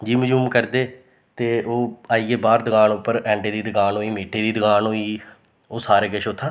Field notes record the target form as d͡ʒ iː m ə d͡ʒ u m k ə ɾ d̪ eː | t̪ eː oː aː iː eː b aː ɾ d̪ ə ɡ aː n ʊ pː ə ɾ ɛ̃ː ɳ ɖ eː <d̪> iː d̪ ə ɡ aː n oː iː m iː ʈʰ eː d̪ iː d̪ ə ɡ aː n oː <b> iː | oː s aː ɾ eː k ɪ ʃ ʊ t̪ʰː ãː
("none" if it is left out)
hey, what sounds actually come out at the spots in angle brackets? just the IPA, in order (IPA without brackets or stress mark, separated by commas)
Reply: d̪, none